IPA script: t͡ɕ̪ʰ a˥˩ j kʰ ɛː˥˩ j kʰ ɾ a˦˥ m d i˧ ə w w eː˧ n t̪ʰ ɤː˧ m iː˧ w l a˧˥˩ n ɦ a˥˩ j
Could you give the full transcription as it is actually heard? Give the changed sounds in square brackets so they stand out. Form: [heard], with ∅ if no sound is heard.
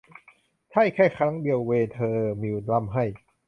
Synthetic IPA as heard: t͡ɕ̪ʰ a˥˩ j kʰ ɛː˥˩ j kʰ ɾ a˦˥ [ŋ] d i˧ ə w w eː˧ n t̪ʰ ɤː˧ m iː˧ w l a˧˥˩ [m] ɦ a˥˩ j